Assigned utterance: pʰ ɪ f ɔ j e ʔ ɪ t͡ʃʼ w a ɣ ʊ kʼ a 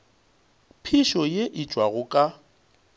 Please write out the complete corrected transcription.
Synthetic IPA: pʰ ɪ ʃ ɔ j e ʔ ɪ t͡ʃʼ w a ɣ ʊ kʼ a